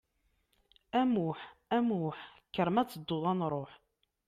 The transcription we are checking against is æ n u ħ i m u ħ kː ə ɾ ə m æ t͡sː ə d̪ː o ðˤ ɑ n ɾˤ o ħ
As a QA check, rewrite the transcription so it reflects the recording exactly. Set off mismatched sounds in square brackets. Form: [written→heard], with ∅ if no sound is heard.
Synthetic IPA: æ [n→m] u ħ [i→æ] m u ħ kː ə ɾ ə m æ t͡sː ə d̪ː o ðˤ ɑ n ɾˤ o ħ